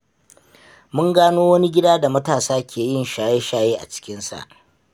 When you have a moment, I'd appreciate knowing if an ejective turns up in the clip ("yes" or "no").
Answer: no